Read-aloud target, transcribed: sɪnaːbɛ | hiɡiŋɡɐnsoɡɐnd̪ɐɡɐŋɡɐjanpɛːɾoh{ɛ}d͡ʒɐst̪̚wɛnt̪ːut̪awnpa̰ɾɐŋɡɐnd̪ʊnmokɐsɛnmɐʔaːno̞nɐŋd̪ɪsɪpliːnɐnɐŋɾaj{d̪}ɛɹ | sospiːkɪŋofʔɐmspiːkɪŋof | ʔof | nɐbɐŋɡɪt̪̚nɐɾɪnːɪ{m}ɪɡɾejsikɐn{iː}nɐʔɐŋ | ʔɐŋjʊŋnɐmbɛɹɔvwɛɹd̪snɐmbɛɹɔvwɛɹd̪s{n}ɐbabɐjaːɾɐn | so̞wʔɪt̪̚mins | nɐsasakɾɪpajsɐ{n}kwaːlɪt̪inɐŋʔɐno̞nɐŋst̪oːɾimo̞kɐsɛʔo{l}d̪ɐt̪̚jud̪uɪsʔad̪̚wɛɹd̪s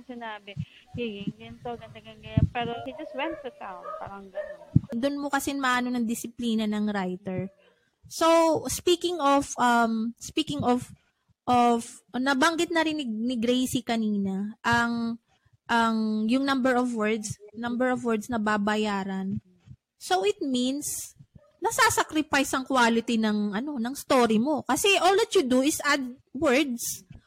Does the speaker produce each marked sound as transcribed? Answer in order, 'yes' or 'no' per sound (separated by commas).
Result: no, no, no, yes, yes, no, yes